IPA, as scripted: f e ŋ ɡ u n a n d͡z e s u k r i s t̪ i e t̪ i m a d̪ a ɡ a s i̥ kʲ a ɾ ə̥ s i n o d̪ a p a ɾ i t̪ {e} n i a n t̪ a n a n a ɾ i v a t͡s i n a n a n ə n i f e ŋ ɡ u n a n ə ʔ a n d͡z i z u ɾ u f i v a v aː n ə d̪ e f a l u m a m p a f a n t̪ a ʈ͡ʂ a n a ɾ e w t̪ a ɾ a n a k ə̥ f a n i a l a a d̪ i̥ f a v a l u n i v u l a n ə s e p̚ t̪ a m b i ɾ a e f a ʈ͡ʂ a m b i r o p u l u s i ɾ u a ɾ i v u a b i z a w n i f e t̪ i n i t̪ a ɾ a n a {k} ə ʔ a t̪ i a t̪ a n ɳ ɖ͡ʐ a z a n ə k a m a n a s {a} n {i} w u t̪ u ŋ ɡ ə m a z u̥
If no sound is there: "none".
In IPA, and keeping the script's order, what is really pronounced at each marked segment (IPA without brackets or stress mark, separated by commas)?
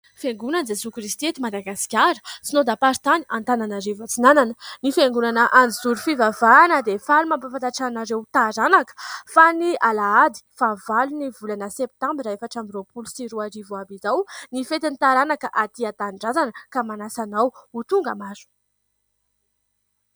a, k, a, a